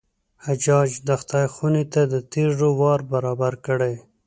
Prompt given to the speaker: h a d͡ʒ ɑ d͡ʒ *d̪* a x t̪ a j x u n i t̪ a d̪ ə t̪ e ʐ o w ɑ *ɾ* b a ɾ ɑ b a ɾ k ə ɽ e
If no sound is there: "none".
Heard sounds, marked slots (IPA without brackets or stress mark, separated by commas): d̪, ɾ